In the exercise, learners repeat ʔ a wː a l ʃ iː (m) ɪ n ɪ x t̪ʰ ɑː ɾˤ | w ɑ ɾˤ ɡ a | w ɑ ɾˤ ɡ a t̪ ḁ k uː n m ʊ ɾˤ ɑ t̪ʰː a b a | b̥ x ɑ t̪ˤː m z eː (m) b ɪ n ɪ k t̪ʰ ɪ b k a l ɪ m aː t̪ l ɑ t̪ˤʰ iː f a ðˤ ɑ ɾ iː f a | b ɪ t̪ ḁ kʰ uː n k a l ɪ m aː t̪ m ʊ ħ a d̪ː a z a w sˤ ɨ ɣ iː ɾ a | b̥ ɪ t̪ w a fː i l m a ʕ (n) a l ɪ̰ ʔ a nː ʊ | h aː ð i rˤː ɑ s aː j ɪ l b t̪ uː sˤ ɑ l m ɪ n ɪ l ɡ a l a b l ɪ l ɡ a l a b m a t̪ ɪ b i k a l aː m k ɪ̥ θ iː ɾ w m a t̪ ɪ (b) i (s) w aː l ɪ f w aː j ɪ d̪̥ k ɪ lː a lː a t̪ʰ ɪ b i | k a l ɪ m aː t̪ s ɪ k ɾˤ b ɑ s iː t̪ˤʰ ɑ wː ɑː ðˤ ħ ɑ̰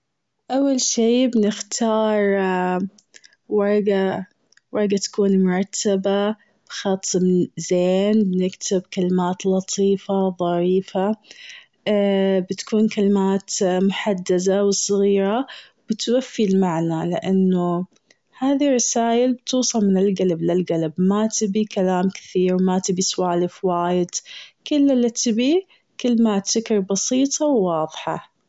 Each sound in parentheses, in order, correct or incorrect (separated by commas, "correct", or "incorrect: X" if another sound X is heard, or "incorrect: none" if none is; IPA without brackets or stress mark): incorrect: b, incorrect: n, correct, correct, correct